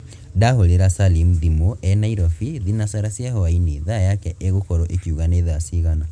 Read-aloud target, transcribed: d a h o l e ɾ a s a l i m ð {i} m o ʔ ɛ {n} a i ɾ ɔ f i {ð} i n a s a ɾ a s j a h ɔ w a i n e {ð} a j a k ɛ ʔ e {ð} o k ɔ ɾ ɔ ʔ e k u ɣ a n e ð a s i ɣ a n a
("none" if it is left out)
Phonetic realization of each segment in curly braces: i, n, ð, ð, ɣ

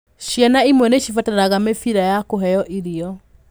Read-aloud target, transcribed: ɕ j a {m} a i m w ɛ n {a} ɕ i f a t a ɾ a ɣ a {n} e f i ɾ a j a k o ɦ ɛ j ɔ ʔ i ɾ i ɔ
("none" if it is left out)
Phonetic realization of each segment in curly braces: n, e, m

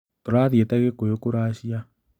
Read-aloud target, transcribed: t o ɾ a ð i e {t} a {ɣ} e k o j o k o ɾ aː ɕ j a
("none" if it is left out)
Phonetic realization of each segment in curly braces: t, ɣ

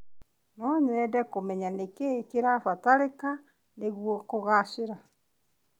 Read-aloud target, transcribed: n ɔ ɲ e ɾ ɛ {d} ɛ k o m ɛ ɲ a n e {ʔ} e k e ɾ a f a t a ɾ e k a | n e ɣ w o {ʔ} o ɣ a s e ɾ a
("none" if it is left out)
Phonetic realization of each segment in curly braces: d, k, k

